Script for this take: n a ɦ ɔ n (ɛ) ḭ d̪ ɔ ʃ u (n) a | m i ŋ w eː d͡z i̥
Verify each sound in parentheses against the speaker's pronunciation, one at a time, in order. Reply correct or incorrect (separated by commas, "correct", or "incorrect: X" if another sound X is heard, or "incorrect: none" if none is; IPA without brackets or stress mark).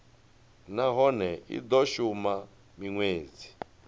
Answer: correct, incorrect: m